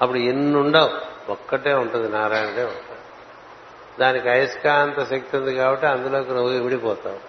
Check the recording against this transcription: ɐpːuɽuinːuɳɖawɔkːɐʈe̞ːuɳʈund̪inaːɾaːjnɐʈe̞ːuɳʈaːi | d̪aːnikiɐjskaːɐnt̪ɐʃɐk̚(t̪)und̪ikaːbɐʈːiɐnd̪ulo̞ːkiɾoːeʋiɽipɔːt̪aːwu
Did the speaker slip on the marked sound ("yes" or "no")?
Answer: no